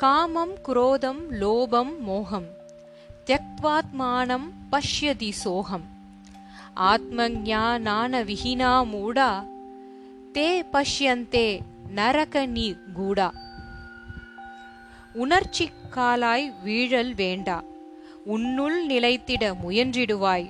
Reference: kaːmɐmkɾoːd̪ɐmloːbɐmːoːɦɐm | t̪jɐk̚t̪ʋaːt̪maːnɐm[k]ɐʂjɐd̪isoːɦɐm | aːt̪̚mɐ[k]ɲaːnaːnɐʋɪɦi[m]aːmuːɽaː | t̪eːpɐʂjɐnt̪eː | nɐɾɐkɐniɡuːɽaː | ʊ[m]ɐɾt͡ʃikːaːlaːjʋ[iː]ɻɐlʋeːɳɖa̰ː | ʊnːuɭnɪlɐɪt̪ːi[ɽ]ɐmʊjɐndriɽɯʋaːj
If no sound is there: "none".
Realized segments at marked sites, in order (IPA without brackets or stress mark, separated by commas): p, ɡ, n, n, iː, ɽ